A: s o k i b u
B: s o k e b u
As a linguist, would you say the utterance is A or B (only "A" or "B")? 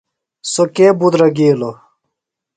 B